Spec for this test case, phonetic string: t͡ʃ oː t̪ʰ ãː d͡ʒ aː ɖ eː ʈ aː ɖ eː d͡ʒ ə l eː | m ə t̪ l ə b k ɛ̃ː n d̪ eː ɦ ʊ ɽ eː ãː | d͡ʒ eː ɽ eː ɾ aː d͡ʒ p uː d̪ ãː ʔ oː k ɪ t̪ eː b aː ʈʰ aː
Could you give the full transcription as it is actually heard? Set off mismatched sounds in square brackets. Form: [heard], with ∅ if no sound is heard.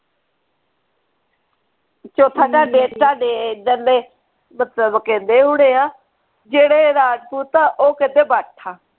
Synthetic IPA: t͡ʃ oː t̪ʰ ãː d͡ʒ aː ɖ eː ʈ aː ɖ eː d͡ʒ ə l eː | m ə t̪ l ə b k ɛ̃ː n d̪ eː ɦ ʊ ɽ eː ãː | d͡ʒ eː ɽ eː ɾ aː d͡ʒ p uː [t̪] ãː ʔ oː k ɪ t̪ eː b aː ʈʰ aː

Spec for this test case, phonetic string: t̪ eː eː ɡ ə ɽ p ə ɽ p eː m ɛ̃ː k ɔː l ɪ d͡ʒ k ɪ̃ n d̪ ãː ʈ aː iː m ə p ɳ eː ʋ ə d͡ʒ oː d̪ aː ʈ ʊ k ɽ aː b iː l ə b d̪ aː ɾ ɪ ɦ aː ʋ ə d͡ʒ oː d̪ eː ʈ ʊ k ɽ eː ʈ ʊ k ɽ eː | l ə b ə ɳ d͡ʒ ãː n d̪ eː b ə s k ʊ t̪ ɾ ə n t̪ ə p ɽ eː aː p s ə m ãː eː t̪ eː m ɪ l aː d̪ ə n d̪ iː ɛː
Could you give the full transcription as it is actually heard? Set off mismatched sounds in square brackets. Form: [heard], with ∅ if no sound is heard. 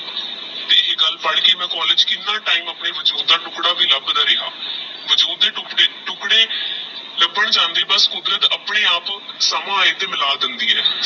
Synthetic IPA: t̪ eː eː ɡ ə [l] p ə ɽ [k] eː m ɛ̃ː k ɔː l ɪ d͡ʒ k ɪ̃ n d̪ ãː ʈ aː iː m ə p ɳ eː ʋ ə d͡ʒ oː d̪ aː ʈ ʊ k ɽ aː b iː l ə b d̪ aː ɾ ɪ ɦ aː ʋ ə d͡ʒ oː d̪ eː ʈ ʊ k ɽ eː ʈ ʊ k ɽ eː | l ə b ə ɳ d͡ʒ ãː n d̪ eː b ə s k ʊ [d̪] ɾ ə [∅] t̪ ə p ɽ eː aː p s ə m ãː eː t̪ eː m ɪ l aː d̪ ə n d̪ iː ɛː

